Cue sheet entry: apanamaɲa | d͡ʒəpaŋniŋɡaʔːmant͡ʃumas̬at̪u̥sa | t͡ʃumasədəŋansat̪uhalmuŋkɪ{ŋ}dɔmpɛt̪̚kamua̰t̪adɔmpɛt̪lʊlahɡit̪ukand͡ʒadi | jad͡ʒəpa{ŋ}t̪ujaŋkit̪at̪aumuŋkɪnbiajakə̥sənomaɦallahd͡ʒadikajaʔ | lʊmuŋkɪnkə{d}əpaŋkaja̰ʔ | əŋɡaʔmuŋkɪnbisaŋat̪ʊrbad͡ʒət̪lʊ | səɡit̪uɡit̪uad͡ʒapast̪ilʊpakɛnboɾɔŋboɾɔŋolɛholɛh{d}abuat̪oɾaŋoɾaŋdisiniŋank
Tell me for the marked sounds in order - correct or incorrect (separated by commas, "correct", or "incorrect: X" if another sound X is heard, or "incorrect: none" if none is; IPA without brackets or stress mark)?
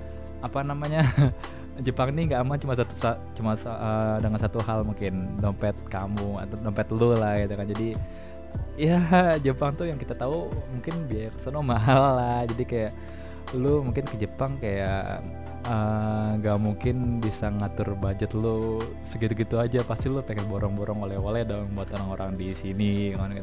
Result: incorrect: n, correct, incorrect: d͡ʒ, correct